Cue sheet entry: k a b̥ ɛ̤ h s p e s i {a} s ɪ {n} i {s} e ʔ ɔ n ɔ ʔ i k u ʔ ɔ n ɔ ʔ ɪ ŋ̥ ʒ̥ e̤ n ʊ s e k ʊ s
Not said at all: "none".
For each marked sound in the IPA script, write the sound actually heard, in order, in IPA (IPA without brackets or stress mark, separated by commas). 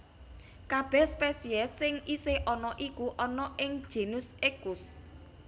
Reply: ɛ, ŋ, s